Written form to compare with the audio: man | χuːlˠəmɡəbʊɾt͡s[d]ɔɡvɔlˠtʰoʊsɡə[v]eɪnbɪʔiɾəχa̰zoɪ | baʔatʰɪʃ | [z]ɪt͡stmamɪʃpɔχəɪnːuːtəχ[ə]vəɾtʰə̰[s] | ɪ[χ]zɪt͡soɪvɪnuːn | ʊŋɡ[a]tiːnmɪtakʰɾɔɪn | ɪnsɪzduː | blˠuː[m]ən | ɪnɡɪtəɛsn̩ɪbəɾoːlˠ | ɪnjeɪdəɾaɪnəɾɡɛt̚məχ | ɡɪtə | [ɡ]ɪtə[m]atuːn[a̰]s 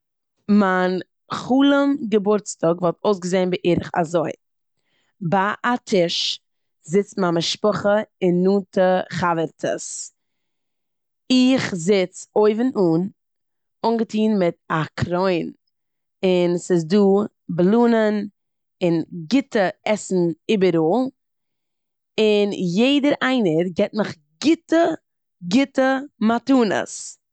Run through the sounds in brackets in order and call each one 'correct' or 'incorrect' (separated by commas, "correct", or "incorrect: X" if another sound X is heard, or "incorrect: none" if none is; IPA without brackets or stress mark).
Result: incorrect: t, incorrect: z, correct, incorrect: a, correct, correct, incorrect: ə, incorrect: n, correct, correct, incorrect: ə̰